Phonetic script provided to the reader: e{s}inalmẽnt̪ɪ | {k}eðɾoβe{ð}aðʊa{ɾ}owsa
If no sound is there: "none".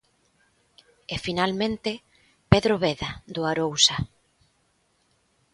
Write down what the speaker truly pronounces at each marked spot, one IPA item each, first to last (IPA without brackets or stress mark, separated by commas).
f, p, ð, ɾ